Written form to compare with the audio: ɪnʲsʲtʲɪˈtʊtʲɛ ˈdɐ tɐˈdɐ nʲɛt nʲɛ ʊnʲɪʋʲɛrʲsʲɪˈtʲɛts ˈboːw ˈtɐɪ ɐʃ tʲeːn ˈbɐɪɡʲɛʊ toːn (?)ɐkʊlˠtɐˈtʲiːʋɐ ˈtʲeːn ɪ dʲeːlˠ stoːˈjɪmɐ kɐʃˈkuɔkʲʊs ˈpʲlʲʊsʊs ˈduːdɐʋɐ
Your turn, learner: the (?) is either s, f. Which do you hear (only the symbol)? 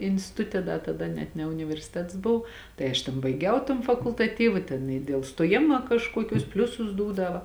f